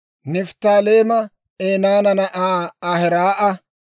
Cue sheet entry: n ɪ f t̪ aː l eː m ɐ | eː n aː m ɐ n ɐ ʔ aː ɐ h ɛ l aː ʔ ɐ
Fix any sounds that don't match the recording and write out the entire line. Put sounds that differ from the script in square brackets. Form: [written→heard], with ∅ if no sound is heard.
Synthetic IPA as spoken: n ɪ f t̪ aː l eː m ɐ | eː n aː [m→n] ɐ n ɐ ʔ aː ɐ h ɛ [l→ɾ] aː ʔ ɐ